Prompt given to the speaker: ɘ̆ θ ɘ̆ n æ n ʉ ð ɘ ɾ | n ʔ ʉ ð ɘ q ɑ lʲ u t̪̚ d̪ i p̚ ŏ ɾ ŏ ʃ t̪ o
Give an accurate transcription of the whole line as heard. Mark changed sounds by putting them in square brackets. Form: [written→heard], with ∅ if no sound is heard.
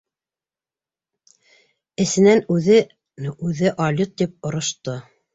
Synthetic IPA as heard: ɘ̆ [θ→s] ɘ̆ n æ n ʉ ð ɘ [ɾ→∅] | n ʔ ʉ ð ɘ [q→ʔ] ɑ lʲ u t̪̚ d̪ i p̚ ŏ ɾ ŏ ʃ t̪ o